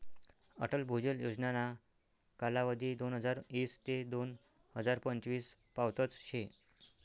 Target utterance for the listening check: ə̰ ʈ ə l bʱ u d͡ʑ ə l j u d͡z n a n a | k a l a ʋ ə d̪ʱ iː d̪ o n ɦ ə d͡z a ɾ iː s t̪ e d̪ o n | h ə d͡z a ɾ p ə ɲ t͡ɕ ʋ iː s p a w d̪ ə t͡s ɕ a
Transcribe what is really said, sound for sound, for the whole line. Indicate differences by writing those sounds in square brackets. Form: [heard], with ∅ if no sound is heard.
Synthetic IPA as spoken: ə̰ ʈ ə l bʱ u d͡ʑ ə l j [o] d͡z n a n a | k a l a ʋ ə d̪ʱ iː d̪ o n ɦ ə d͡z a ɾ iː s t̪ e d̪ o n | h ə d͡z a ɾ p ə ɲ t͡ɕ ʋ iː s p a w [t̪] ə t͡s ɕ [e]